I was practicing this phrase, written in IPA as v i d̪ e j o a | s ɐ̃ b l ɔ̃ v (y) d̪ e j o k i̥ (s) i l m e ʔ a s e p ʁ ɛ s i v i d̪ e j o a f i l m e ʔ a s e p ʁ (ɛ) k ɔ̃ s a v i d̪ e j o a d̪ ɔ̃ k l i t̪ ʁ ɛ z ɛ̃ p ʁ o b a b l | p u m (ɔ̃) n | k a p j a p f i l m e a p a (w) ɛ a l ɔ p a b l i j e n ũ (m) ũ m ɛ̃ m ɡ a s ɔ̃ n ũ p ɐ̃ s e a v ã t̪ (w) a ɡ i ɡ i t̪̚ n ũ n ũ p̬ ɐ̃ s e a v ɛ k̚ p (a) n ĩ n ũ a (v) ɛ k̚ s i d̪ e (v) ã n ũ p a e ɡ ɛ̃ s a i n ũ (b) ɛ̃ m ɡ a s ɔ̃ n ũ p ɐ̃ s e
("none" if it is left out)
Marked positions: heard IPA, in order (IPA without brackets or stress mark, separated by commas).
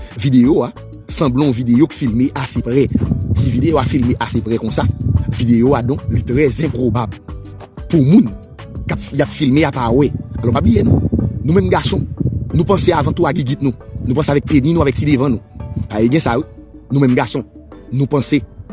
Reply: i, f, ɛ, ũ, w, n, u, e, v, v, m